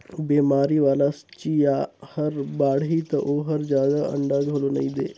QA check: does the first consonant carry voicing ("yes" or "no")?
yes